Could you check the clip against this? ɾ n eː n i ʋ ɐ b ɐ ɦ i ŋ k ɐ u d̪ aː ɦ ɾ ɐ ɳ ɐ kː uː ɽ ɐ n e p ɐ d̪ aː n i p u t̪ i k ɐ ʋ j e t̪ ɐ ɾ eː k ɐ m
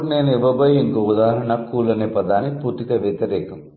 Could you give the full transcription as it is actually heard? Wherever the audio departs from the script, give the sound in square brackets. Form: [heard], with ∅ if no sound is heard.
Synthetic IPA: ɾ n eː n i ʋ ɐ b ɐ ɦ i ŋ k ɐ u d̪ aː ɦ ɾ ɐ ɳ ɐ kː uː [l] ɐ n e p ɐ d̪ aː n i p u t̪ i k ɐ ʋ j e t̪ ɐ ɾ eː k ɐ m